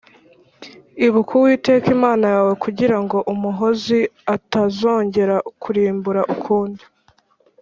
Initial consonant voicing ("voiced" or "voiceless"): voiced